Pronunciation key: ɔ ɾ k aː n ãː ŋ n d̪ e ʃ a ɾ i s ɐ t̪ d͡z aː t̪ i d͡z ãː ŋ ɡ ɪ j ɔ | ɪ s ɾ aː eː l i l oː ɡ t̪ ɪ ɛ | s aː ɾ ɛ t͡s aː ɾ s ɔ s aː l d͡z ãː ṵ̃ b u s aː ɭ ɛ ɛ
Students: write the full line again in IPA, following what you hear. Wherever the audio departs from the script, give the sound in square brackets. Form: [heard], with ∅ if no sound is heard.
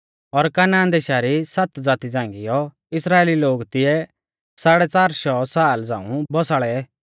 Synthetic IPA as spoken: ɔ ɾ k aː n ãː [∅] n d̪ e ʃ a ɾ i s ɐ t̪ d͡z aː t̪ i d͡z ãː ŋ ɡ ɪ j ɔ | ɪ s ɾ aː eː l i l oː ɡ t̪ ɪ ɛ | s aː [ɽ] ɛ t͡s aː ɾ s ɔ s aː l d͡z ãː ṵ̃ b [ɔ] s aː ɭ ɛ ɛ